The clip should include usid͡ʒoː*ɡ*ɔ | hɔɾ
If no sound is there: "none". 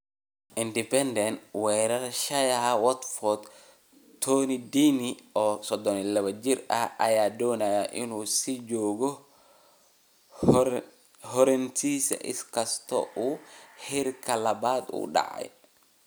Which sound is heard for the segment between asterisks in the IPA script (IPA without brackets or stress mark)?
ɡ